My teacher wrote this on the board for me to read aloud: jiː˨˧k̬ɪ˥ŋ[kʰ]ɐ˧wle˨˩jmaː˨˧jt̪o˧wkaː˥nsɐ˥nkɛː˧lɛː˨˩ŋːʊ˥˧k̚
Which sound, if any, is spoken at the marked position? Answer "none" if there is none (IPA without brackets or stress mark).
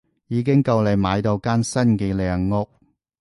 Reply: k